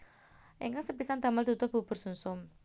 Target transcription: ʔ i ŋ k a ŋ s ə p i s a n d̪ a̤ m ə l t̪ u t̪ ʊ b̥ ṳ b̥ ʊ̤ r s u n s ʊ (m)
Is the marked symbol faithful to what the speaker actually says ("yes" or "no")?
yes